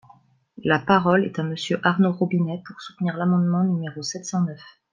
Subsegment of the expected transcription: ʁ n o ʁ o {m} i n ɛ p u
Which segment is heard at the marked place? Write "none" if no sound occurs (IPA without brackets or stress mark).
b